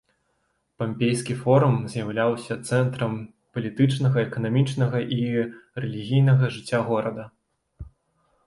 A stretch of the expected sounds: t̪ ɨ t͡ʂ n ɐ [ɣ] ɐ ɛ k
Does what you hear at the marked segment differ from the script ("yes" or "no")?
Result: no